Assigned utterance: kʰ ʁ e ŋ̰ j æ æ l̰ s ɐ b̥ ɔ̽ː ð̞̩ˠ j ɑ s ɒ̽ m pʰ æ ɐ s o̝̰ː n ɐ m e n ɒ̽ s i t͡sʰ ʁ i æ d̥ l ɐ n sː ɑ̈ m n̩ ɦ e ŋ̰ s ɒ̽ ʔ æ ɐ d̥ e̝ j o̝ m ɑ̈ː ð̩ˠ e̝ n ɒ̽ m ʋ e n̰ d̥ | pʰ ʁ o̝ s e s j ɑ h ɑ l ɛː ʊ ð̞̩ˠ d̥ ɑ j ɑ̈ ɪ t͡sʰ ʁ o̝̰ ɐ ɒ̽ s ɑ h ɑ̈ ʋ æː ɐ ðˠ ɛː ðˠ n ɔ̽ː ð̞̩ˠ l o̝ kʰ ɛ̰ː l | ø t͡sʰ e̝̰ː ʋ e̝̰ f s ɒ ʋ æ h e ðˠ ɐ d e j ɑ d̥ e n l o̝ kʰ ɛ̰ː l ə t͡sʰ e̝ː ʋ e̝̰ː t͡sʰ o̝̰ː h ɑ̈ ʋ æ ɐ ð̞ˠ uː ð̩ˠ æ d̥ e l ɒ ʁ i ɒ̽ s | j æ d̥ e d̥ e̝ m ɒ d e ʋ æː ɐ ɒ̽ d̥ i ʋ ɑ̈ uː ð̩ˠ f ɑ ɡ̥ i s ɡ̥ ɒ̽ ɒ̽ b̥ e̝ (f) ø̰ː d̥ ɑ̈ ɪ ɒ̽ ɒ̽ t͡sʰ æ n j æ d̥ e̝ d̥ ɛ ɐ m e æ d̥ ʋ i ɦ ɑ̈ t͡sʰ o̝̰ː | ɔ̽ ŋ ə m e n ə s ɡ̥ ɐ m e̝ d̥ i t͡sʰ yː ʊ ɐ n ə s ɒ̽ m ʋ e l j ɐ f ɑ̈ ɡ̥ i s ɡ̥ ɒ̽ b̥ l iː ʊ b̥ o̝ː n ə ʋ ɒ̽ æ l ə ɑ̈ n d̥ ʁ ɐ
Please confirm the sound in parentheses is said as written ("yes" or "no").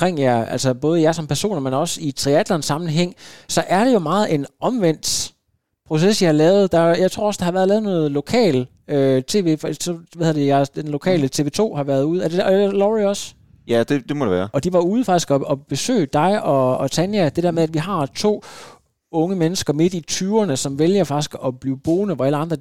no